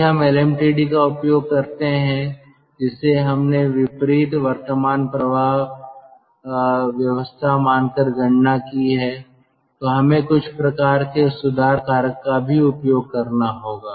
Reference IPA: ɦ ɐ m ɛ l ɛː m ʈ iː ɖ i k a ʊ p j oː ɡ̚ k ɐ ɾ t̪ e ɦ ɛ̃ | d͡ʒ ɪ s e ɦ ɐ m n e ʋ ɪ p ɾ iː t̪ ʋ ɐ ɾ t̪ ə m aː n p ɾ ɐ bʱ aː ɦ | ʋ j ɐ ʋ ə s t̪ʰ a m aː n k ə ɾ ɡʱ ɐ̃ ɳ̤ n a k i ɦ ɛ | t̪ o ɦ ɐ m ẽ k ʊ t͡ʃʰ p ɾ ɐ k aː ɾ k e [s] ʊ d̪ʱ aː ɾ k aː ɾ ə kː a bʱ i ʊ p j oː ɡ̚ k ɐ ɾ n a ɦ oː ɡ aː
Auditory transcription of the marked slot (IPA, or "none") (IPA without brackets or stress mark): s